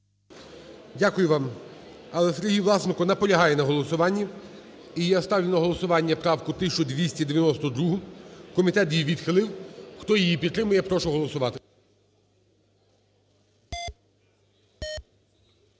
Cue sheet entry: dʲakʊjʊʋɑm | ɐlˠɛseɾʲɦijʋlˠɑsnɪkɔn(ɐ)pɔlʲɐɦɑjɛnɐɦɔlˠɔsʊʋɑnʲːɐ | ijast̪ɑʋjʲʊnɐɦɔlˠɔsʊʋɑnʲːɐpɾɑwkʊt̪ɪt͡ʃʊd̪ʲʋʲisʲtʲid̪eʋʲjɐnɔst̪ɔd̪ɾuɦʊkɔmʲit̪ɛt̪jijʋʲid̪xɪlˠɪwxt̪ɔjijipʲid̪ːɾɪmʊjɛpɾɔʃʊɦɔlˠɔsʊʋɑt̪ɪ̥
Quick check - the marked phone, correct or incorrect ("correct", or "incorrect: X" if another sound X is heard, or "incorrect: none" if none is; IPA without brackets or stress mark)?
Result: correct